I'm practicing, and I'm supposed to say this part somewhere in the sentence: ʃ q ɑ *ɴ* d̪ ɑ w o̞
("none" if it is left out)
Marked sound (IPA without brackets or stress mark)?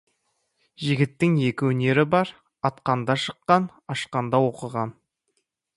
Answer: n